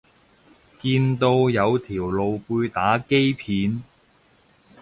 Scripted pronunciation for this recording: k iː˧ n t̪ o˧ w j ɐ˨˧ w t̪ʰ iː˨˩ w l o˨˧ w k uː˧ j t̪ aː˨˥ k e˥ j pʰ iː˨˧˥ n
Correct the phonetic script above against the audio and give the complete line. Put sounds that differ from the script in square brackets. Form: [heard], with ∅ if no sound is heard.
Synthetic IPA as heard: k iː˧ n t̪ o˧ w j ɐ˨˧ w t̪ʰ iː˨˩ w l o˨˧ w [p] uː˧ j t̪ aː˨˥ k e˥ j pʰ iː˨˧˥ n